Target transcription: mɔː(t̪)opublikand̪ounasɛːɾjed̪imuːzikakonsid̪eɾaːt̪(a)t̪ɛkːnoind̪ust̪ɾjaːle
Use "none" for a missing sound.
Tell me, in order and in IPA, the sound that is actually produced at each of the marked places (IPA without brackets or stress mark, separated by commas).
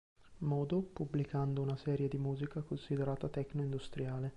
d̪, a